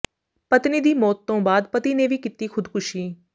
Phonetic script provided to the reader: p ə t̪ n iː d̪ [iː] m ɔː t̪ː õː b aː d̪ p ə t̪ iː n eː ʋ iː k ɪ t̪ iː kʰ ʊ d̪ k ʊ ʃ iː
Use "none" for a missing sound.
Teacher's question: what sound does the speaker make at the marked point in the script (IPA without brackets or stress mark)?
iː